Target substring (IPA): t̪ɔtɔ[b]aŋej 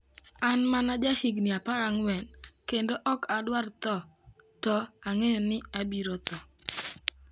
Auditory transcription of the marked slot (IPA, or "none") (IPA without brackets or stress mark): none